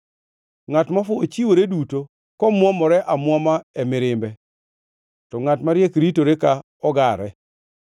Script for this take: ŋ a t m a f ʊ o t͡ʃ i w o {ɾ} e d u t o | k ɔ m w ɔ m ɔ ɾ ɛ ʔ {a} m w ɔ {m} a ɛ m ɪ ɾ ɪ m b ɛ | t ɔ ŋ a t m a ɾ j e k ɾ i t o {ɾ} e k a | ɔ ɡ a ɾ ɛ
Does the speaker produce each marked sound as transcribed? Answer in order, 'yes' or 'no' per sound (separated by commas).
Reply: yes, yes, yes, yes